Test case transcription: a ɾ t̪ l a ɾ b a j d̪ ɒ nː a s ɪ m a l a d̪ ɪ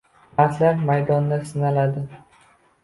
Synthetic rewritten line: a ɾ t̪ l a ɾ m a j d̪ ɒ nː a s ɪ n a l a d̪ ɪ